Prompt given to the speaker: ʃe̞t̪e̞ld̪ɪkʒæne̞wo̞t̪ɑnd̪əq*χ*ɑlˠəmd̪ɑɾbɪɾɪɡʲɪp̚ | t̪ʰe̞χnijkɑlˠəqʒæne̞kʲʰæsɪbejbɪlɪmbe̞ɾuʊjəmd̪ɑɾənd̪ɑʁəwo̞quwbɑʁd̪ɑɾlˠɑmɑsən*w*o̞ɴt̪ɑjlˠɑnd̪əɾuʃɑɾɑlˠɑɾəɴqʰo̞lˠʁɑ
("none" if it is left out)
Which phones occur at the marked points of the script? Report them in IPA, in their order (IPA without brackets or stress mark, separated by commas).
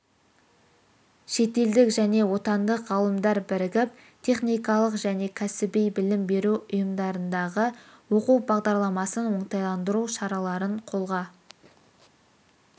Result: ʁ, w